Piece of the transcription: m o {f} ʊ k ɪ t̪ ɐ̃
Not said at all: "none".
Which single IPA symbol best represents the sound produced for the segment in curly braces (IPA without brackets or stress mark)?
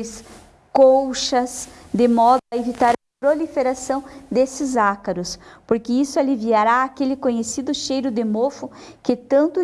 f